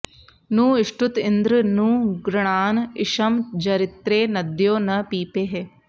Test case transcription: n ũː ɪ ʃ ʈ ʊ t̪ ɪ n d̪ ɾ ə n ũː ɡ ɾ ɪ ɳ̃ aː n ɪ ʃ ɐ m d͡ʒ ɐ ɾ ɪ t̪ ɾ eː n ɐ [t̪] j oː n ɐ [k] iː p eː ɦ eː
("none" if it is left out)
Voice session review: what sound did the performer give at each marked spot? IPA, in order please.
d̪, p

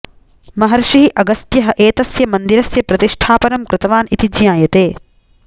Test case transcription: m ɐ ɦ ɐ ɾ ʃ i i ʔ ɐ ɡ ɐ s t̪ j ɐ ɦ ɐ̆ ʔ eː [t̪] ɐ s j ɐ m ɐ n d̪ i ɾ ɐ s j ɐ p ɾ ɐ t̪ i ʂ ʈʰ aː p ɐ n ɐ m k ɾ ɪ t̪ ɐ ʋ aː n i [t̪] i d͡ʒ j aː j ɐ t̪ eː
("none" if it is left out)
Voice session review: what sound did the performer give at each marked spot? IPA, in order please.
t̪, t̪

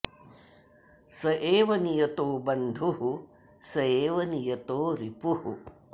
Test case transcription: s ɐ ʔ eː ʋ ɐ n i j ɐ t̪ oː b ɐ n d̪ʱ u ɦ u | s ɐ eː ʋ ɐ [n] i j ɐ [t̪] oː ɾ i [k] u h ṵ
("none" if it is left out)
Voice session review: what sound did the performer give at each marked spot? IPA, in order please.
n, t̪, p

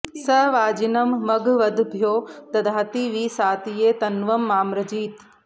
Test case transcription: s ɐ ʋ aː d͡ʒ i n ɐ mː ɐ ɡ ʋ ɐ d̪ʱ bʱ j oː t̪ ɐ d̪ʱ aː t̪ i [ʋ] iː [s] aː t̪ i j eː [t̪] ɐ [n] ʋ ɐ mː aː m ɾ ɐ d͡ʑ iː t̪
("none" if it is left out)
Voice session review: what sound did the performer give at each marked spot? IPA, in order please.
ʋ, s, t̪, n

